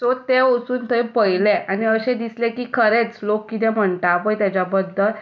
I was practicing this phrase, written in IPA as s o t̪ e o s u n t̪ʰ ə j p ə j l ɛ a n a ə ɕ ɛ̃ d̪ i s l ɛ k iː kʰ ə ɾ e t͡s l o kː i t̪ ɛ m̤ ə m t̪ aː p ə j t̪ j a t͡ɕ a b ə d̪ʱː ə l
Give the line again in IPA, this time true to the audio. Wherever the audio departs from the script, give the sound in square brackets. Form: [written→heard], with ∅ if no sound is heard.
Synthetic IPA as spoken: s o t̪ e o s [u→uː] n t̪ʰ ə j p ə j l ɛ a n [a→i] ə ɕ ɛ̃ d̪ i s l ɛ k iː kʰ ə ɾ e t͡s l o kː i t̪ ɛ m̤ ə [m→ɳ] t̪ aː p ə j t̪ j a t͡ɕ a b ə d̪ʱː ə l